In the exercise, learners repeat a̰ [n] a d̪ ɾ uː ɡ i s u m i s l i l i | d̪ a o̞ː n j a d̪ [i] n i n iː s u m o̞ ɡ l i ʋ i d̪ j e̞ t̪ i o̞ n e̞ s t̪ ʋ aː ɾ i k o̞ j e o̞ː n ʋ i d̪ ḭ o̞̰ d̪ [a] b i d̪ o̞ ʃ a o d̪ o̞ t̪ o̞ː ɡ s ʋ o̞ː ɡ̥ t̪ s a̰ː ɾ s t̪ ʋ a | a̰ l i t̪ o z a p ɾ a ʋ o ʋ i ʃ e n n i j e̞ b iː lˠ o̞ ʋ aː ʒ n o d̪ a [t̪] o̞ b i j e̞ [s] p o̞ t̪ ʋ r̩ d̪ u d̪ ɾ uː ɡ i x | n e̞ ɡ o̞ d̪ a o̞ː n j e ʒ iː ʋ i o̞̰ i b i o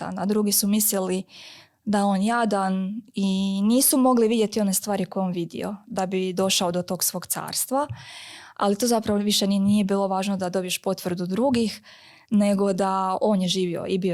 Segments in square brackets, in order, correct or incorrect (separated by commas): correct, incorrect, correct, incorrect, incorrect